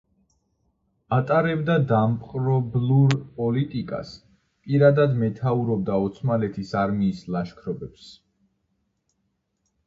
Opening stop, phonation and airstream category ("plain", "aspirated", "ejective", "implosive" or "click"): ejective